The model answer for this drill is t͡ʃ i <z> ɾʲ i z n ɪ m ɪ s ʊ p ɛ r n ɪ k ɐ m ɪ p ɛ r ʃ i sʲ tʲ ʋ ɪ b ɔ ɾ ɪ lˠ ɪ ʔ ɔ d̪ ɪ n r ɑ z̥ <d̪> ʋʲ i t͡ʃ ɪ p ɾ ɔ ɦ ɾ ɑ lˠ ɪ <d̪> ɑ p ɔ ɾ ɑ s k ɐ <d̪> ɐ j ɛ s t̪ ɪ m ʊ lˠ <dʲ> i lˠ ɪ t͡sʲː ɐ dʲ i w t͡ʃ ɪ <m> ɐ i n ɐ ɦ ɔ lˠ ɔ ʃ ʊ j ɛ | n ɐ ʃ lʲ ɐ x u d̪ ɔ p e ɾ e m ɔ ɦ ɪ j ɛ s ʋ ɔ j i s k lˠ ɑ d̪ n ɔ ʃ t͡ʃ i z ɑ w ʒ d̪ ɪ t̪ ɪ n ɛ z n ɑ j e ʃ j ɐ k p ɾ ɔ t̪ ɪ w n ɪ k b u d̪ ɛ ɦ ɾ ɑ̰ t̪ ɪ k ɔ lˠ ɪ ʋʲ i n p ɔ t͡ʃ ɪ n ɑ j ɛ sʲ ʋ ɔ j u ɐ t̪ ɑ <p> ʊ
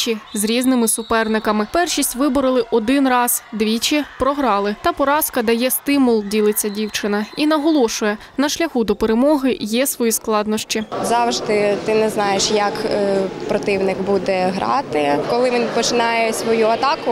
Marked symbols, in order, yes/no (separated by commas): yes, yes, no, yes, yes, no, no